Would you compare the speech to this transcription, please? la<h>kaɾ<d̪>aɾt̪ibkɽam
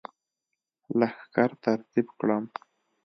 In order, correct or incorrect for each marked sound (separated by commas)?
incorrect, incorrect